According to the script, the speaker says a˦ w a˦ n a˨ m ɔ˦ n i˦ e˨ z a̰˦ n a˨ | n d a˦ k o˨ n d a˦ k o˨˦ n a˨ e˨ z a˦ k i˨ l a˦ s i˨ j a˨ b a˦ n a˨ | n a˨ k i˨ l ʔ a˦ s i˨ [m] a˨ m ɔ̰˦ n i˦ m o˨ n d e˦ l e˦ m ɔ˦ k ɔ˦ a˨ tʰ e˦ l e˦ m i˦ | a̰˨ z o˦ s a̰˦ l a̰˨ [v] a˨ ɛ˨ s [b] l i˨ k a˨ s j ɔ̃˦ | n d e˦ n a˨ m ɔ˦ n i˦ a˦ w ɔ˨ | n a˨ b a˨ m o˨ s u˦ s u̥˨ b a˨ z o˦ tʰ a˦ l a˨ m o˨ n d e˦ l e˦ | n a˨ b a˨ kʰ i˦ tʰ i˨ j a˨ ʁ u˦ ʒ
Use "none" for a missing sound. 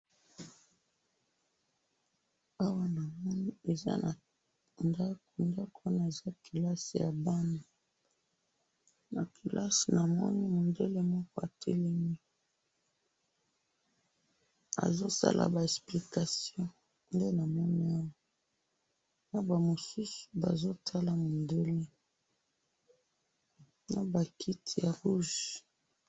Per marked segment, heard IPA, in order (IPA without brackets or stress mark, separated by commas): n, b, p